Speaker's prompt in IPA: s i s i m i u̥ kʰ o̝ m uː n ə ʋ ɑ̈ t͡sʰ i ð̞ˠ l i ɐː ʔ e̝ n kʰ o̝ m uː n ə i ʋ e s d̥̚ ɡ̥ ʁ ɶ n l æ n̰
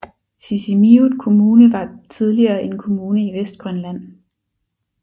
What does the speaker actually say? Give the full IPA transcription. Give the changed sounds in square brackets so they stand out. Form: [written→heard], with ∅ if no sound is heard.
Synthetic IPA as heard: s i s i m i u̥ kʰ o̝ m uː n ə ʋ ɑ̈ t͡sʰ i ð̞ˠ l i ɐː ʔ e̝ n kʰ o̝ m uː n ə i ʋ e s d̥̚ ɡ̥ ʁ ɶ n l æ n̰